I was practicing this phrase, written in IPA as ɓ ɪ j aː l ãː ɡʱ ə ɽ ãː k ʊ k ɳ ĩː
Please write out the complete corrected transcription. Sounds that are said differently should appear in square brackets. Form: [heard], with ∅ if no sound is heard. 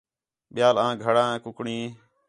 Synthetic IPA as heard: ɓ ɪ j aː l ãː ɡʱ ə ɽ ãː k ʊ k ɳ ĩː